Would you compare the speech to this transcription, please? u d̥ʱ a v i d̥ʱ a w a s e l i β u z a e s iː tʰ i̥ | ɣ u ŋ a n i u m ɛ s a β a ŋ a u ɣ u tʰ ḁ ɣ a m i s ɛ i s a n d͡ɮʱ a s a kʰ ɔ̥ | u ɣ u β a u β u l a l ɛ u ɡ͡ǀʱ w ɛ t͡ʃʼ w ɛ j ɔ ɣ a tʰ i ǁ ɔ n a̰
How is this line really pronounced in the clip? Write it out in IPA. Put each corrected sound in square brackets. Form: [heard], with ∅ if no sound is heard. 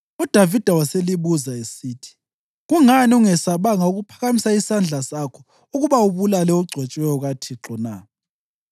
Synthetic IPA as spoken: u d̥ʱ a v i d̥ʱ a w a s e l i β u z a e s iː tʰ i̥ | ɣ u ŋ a n i u [ŋ] ɛ s a β a ŋ a u ɣ u [pʰ] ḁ ɣ a m i s [a] i s a n d͡ɮʱ a s a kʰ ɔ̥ | u ɣ u β a u β u l a l ɛ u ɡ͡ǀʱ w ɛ t͡ʃʼ w ɛ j ɔ ɣ a tʰ i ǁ ɔ n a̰